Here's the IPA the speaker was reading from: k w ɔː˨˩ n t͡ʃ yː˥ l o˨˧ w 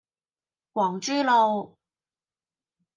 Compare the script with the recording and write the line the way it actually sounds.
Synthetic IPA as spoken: k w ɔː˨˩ ŋ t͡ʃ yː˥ l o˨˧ w